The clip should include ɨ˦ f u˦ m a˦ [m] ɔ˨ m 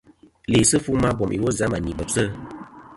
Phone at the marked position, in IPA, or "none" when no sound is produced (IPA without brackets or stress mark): b